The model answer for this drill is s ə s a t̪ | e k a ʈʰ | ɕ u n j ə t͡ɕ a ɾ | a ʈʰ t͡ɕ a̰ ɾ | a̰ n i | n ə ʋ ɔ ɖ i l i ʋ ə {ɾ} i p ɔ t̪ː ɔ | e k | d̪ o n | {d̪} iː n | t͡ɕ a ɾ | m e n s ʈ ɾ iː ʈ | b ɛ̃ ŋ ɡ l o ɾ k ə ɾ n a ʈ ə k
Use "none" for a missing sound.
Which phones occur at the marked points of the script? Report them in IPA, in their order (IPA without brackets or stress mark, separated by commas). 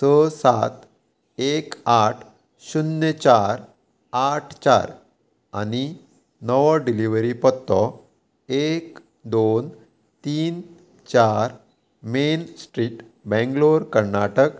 ɾ, t̪